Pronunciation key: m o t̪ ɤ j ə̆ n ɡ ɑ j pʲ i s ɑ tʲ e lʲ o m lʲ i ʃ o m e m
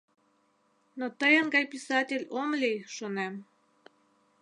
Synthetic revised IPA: n o t̪ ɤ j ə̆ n ɡ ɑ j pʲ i s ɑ tʲ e lʲ o m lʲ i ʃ o n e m